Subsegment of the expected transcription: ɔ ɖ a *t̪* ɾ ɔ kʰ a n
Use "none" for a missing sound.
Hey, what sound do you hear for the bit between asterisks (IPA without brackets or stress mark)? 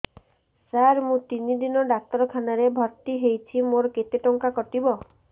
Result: t̪